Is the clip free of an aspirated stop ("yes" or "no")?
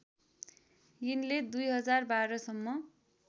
yes